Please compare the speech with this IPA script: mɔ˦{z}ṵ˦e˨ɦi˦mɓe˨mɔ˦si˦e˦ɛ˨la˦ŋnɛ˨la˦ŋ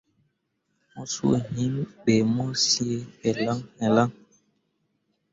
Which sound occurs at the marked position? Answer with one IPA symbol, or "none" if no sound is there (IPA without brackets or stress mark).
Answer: s